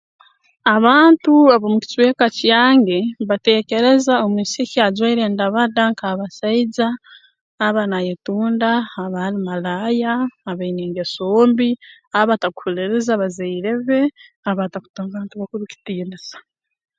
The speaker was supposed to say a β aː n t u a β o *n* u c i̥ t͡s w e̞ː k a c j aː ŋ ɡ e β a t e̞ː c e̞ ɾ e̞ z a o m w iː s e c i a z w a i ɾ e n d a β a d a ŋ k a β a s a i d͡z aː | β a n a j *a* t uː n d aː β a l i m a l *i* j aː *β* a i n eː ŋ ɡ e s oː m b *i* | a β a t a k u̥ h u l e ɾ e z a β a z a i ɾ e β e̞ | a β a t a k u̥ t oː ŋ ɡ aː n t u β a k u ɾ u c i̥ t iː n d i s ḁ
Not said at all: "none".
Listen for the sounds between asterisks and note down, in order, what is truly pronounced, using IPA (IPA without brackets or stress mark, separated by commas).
m, e, a, β, i